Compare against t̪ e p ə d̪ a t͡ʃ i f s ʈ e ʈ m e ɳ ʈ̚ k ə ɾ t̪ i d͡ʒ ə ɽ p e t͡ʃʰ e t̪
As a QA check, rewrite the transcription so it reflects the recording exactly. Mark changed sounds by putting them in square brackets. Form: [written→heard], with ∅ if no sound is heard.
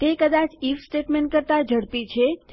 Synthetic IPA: t̪ e [p→k] ə d̪ a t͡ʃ i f s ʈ e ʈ m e ɳ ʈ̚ k ə ɾ t̪ [i→a] d͡ʒ ə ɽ p [e→i] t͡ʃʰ e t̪

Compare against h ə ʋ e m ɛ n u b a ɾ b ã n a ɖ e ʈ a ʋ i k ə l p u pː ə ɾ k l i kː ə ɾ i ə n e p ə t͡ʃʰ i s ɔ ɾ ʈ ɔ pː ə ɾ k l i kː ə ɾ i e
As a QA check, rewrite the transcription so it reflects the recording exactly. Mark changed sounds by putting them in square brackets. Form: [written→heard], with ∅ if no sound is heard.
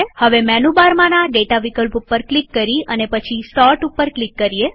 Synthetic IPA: h ə ʋ e m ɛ n u b a ɾ [b→m] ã n a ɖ e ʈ a ʋ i k ə l p u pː ə ɾ k l i kː ə ɾ i ə n e p ə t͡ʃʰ i s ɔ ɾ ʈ [ɔ→u] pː ə ɾ k l i kː ə ɾ i e

